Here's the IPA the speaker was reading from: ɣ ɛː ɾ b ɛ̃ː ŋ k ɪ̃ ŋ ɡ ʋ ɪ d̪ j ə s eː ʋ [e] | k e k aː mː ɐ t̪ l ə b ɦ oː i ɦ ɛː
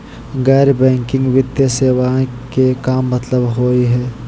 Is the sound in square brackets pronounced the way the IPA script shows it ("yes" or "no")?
no